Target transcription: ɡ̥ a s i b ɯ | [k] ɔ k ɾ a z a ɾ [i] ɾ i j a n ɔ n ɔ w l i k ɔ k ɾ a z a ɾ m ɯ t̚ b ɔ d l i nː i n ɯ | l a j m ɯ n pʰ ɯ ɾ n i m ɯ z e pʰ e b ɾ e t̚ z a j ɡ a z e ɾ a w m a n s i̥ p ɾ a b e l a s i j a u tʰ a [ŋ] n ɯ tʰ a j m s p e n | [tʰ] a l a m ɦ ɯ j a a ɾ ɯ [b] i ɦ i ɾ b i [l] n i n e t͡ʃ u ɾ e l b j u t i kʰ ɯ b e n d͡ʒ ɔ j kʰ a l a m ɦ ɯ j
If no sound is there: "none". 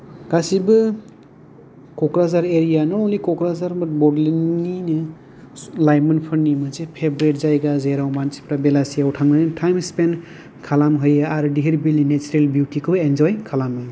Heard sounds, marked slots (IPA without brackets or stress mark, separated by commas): k, e, ŋ, kʰ, d, l